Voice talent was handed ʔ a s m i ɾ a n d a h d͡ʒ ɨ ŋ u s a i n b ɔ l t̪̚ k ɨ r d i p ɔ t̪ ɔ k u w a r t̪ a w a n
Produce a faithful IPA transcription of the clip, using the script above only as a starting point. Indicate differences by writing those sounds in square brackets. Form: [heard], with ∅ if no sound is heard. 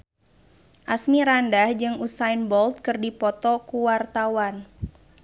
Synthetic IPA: ʔ a s m i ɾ a n d a h d͡ʒ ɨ ŋ u s a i n b ɔ l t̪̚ k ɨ r d i p ɔ t̪ ɔ k u w a r t̪ a w a n